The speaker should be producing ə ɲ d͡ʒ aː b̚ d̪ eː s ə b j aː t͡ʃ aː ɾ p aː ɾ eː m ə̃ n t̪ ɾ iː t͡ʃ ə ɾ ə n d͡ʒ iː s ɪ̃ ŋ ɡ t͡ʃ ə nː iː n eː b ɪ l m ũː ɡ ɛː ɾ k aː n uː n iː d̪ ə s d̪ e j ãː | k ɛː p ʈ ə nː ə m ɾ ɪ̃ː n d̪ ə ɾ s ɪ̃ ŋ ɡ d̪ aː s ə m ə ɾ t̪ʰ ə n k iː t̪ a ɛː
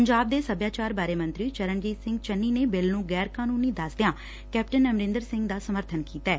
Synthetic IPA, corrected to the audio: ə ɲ d͡ʒ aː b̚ d̪ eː s ə b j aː t͡ʃ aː ɾ b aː ɾ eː m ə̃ n t̪ ɾ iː t͡ʃ ə ɾ ə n d͡ʒ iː s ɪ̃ ŋ ɡ t͡ʃ ə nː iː n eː b ɪ l n ũː ɡ ɛː ɾ k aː n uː n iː d̪ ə s d̪ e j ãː | k ɛː p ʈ ə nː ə m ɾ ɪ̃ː n d̪ ə ɾ s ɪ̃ ŋ ɡ d̪ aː s ə m ə ɾ t̪ʰ ə n k iː t̪ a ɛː